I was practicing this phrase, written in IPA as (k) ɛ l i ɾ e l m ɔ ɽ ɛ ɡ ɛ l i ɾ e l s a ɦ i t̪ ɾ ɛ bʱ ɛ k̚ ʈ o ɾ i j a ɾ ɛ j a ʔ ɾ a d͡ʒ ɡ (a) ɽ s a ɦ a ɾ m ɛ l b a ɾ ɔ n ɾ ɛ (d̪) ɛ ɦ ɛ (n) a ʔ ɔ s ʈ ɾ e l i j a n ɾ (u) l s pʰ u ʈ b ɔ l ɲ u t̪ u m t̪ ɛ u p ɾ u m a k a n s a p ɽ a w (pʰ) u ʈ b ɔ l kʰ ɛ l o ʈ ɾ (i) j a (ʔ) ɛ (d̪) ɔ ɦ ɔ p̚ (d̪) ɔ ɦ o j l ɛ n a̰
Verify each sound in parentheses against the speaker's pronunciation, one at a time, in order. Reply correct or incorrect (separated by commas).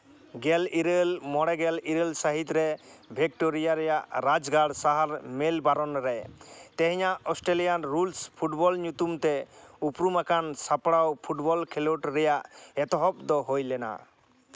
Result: incorrect, correct, incorrect, incorrect, correct, correct, incorrect, correct, incorrect, correct